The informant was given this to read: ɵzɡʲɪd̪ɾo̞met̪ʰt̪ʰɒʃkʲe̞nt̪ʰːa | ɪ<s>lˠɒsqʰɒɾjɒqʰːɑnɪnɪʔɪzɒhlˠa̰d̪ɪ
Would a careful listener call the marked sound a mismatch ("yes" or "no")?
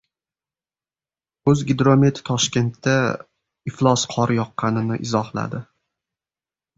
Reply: yes